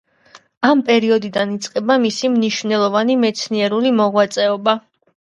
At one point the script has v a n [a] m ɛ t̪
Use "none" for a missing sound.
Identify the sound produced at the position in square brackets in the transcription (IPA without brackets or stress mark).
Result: i